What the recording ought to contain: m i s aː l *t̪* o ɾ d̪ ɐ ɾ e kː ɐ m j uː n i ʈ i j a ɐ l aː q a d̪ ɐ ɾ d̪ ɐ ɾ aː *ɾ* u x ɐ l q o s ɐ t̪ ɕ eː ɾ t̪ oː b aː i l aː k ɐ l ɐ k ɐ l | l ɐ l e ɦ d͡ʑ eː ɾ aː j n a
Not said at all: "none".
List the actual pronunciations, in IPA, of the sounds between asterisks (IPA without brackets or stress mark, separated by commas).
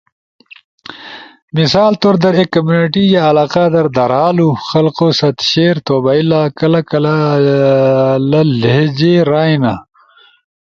t̪, l